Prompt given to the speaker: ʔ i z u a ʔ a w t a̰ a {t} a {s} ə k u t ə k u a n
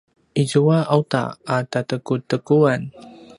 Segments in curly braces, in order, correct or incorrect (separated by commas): correct, incorrect